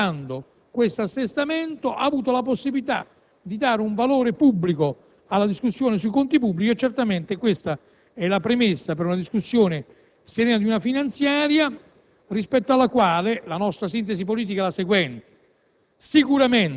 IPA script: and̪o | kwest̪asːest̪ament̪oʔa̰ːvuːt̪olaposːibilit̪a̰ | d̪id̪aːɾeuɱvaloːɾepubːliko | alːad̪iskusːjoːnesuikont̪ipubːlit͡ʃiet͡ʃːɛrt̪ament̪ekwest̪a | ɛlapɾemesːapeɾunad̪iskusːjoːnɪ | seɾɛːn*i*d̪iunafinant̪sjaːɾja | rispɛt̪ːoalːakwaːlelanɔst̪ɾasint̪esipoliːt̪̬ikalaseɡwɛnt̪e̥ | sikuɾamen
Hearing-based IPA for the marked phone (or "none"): a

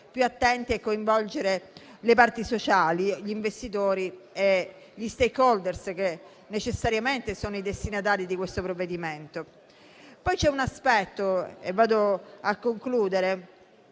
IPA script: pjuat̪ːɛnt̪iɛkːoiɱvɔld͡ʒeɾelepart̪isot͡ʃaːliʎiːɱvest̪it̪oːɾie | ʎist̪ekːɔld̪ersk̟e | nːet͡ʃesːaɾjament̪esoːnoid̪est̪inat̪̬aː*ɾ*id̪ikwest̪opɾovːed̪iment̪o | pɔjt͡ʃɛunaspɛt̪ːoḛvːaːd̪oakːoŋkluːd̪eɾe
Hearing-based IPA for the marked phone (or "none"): ɾ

